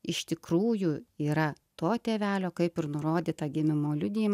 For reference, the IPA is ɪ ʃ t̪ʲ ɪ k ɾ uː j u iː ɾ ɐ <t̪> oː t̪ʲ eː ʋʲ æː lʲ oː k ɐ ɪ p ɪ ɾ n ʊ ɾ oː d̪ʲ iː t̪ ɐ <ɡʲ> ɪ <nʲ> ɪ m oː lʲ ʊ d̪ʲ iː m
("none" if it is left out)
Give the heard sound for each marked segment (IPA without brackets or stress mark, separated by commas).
t̪, ɡʲ, mʲ